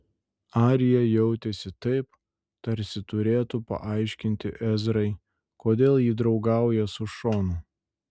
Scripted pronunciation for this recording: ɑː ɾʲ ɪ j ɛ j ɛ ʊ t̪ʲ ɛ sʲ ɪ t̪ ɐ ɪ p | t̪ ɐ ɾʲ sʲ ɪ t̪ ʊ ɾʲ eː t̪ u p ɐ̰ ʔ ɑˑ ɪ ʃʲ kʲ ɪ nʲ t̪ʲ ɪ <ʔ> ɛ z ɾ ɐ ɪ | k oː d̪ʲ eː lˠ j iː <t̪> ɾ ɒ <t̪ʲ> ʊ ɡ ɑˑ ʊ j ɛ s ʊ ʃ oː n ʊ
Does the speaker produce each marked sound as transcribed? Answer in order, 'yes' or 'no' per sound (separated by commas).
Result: yes, no, no